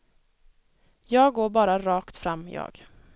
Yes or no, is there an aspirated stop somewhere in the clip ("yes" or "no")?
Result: no